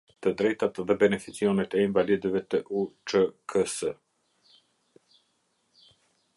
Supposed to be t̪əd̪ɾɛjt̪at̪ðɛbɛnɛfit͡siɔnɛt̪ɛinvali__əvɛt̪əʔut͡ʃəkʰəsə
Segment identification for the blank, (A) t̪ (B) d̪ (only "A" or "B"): B